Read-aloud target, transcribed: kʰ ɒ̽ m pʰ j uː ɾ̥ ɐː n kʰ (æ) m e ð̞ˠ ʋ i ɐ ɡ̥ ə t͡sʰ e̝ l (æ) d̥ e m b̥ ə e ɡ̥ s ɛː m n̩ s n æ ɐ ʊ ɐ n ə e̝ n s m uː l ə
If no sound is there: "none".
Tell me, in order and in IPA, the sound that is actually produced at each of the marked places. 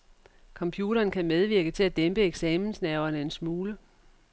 æ, æ

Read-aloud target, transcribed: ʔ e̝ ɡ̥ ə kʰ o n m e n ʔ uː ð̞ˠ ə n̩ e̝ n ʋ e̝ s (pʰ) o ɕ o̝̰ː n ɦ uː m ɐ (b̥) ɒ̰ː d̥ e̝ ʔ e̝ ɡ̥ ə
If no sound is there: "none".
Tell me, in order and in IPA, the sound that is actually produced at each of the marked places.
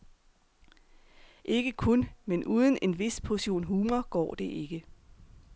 pʰ, ɡ̥

